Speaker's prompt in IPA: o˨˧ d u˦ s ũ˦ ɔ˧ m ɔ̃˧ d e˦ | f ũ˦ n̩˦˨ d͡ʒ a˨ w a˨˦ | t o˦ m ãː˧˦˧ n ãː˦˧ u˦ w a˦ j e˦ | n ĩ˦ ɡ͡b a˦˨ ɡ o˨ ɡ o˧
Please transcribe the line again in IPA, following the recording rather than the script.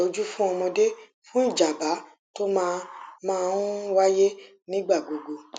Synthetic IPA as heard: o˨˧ d͡ʒ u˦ f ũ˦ ɔ˧ m ɔ̃˧ d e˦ | f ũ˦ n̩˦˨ d͡ʒ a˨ b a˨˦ | t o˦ m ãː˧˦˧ m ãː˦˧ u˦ w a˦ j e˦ | n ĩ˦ ɡ͡b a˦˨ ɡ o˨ ɡ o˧